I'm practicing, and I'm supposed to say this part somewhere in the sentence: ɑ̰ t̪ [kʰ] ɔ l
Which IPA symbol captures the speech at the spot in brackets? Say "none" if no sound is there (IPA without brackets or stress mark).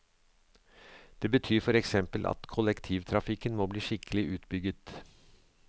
kʰ